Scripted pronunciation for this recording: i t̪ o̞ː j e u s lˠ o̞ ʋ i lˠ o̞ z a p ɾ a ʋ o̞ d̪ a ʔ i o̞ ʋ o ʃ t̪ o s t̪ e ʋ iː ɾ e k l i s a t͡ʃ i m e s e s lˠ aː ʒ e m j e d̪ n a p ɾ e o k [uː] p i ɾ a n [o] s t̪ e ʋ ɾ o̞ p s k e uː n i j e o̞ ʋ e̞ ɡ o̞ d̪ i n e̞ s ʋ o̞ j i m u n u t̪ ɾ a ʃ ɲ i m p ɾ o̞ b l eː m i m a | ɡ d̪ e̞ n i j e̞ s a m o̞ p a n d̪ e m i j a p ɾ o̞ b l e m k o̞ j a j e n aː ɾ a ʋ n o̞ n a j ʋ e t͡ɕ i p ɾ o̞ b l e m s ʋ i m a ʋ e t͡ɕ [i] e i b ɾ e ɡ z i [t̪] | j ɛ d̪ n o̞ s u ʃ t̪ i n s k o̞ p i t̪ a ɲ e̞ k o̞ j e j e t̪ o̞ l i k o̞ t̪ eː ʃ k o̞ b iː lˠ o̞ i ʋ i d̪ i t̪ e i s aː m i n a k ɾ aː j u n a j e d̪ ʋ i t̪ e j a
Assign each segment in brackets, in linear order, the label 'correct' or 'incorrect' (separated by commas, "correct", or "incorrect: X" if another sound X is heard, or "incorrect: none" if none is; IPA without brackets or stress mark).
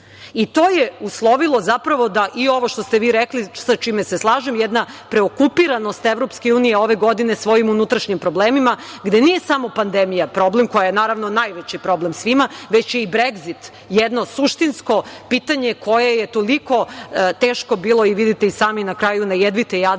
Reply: incorrect: u, correct, incorrect: j, correct